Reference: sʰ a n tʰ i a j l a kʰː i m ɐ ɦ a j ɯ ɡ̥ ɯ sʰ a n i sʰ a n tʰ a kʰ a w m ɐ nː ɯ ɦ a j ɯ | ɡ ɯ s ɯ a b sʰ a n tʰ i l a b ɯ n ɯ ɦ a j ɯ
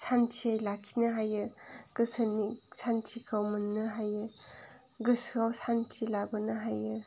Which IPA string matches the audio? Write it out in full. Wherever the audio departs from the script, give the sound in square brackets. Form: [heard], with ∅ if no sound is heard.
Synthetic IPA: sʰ a n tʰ i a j l a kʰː i [n] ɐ ɦ a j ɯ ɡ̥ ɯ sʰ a n i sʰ a n tʰ [i] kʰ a w m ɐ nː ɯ ɦ a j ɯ | ɡ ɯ s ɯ a [w] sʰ a n tʰ i l a b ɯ n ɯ ɦ a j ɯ